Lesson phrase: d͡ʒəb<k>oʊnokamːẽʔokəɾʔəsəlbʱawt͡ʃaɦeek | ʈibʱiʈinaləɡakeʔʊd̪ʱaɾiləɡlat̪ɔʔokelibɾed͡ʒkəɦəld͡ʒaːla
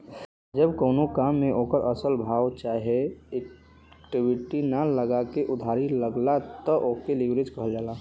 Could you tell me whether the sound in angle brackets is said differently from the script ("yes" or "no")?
no